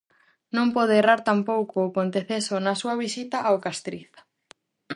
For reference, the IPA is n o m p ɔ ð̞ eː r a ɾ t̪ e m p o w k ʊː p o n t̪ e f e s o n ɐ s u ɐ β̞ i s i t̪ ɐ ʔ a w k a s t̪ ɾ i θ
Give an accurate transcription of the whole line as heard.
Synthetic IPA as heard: n õ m p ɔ ð̞ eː r a ɾ t̪ a m p o w k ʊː p o n t̪ e θ e s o n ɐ s u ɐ β̞ i s i t̪ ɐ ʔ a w k a s t̪ ɾ i θ